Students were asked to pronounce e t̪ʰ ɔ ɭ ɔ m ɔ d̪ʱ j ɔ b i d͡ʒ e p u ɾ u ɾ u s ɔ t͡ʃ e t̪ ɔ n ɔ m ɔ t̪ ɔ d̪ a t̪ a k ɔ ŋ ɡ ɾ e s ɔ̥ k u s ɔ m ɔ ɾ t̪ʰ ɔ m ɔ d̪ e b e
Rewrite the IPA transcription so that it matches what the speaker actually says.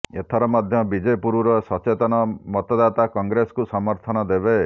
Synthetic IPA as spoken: e t̪ʰ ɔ ɾ ɔ m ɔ d̪ʱ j ɔ b i d͡ʒ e p u ɾ u ɾ ɔ s ɔ t͡ʃ e t̪ ɔ n ɔ m ɔ t̪ ɔ d̪ a t̪ a k ɔ ŋ ɡ ɾ e s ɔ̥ k u s ɔ m ɔ ɾ t̪ʰ ɔ n ɔ d̪ e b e

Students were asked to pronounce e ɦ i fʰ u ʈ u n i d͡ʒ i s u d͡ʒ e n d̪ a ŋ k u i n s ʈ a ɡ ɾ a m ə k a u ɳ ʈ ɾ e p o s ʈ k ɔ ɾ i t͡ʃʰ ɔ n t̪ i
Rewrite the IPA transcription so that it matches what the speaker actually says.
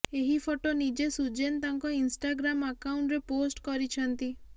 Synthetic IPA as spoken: e ɦ i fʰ o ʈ o n i d͡ʒ e s u d͡ʒ e n t̪ a ŋ k ɔ i n s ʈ a ɡ ɾ a m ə k a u ɳ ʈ ɾ e p o s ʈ k ɔ ɾ i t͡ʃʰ ɔ n t̪ i

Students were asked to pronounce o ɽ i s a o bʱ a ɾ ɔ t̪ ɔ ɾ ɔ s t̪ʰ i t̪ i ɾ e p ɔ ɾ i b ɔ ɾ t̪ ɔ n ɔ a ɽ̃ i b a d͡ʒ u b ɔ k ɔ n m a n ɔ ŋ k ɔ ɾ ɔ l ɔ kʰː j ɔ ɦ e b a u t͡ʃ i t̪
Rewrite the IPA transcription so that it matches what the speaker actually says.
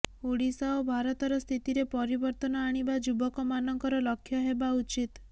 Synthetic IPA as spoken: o ɽ i s a o bʱ a ɾ ɔ t̪ ɔ ɾ ɔ s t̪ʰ i t̪ i ɾ e p ɔ ɾ i b ɔ ɾ t̪ ɔ n ɔ a ɽ̃ i b a d͡ʒ u b ɔ k ɔ m a n ɔ ŋ k ɔ ɾ ɔ l ɔ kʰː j ɔ ɦ e b a u t͡ʃ i t̪

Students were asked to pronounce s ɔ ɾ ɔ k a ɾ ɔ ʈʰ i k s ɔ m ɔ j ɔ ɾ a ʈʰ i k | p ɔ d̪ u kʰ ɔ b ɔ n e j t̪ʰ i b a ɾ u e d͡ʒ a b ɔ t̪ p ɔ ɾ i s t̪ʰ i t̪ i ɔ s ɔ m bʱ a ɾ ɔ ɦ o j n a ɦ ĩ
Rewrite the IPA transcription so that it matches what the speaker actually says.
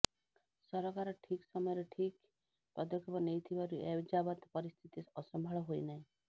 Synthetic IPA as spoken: s ɔ ɾ ɔ k a ɾ ɔ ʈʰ i k s ɔ m ɔ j ɔ ɾ e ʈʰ i k | p ɔ d̪ ɔ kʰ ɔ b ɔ n e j t̪ʰ i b a ɾ u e d͡ʒ a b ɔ t̪ p ɔ ɾ i s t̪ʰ i t̪ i ɔ s ɔ m bʱ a ɭ ɔ ɦ o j n a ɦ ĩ

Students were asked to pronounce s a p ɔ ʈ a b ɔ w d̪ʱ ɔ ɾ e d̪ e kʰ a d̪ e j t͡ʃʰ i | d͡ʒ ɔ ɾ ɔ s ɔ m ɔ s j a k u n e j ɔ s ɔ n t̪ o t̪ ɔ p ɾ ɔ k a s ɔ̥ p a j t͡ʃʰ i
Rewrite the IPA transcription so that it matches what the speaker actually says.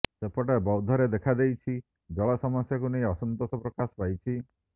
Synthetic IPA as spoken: s e p ɔ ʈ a b ɔ w d̪ʱ ɔ ɾ e d̪ e kʰ a d̪ e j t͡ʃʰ i | d͡ʒ ɔ ɭ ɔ s ɔ m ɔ s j a k u n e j ɔ s ɔ n t̪ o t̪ ɔ p ɾ ɔ k a s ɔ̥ p a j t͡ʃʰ i

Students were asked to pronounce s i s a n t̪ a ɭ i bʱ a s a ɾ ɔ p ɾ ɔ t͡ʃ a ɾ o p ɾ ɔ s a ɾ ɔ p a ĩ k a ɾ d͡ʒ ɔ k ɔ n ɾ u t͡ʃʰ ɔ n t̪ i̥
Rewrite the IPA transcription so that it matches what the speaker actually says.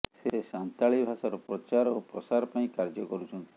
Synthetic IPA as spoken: s e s a n t̪ a ɭ i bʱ a s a ɾ ɔ p ɾ ɔ t͡ʃ a ɾ o p ɾ ɔ s a ɾ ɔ p a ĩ k a ɾ d͡ʒ ɔ k ɔ ɾ u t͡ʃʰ ɔ n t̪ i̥

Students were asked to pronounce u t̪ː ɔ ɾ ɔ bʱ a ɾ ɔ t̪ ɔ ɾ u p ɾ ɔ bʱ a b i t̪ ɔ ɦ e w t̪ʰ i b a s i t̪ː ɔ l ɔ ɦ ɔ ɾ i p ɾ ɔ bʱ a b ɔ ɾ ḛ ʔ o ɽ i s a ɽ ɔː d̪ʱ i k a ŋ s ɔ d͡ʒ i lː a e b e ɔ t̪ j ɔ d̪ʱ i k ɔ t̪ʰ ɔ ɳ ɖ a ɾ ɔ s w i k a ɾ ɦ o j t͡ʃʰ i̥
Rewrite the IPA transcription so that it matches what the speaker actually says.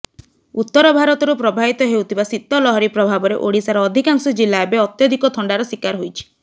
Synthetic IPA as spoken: u t̪ː ɔ ɾ ɔ bʱ a ɾ ɔ t̪ ɔ ɾ u p ɾ ɔ bʱ a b i t̪ ɔ ɦ e w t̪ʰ i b a s i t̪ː ɔ l ɔ ɦ ɔ ɾ i p ɾ ɔ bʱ a b ɔ ɾ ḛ ʔ o ɽ i s a ɾ ɔː d̪ʱ i k a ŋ s ɔ d͡ʒ i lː a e b e ɔ t̪ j ɔ d̪ʱ i k ɔ t̪ʰ ɔ ɳ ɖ a ɾ ɔ s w i k a ɾ ɦ o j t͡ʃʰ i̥

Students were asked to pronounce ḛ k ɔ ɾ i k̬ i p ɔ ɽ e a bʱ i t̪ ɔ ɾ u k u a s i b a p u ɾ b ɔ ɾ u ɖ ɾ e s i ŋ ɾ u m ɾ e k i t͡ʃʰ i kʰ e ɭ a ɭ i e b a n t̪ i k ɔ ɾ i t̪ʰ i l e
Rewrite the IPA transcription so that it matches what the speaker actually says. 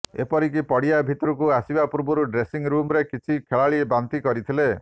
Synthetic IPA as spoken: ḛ p ɔ ɾ i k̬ i p ɔ ɽ i a bʱ i t̪ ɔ ɾ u k u a s i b a p u ɾ b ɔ ɾ u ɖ ɾ e s i ŋ ɾ u m ɾ e k i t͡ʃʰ i kʰ e ɭ a ɭ i e b a n t̪ i k ɔ ɾ i t̪ʰ i l e

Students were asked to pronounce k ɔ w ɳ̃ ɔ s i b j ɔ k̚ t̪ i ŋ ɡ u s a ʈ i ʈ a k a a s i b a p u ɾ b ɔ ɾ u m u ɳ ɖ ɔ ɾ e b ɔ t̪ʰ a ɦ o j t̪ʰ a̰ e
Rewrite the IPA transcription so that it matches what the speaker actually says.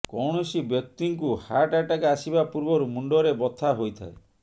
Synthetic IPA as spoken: k ɔ w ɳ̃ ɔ s i b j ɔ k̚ t̪ i ŋ k u h a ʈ a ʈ a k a a s i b a p u ɾ b ɔ ɾ u m u ɳ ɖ ɔ ɾ e b ɔ t̪ʰ a ɦ o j t̪ʰ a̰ e

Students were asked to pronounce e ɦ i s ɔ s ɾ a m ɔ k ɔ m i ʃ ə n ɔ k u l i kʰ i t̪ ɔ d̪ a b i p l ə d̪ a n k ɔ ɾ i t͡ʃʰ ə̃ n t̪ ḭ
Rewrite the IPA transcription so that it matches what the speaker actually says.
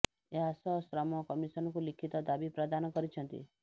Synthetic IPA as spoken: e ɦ a s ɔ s ɾ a m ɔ k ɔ m i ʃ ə n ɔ k u l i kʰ i t̪ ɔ d̪ a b i p ɾ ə d̪ a n k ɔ ɾ i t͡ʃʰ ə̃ n t̪ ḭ

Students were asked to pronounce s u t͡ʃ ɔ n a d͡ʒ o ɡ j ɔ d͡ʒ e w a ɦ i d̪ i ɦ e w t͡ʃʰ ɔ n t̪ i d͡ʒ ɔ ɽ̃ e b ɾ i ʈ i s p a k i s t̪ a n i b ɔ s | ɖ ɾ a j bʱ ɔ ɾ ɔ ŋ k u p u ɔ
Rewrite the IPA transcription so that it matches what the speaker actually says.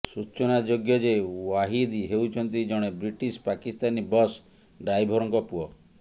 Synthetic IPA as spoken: s u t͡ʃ ɔ n a d͡ʒ o ɡ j ɔ d͡ʒ e w a ɦ i d̪ i ɦ e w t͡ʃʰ ɔ n t̪ i d͡ʒ ɔ ɽ̃ e b ɾ i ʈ i s p a k i s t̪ a n i b ɔ s | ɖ ɾ a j bʱ ɔ ɾ ɔ ŋ k ɔ p u ɔ

